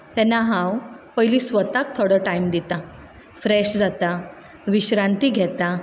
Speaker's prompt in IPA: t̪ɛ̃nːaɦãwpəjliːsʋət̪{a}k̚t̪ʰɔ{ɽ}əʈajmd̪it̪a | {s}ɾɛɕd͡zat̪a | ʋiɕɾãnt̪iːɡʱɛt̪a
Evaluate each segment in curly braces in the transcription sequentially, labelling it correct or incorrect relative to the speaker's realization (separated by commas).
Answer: correct, correct, incorrect